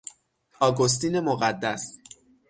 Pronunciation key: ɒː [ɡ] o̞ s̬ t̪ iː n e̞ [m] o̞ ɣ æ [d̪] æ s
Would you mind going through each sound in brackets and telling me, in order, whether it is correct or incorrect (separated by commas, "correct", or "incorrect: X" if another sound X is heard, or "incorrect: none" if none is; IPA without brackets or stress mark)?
correct, correct, incorrect: d̪ː